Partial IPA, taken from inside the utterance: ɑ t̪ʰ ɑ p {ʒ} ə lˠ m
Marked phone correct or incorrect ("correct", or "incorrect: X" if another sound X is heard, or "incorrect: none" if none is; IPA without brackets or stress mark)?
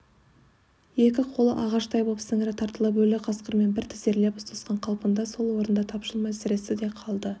incorrect: ʃ